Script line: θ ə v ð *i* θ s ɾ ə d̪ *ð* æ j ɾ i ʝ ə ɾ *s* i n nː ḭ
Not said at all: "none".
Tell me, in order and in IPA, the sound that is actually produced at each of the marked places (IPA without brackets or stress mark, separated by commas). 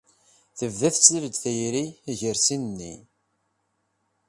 æ, θ, s